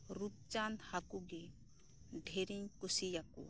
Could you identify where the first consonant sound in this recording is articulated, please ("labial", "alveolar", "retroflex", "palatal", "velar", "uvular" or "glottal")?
alveolar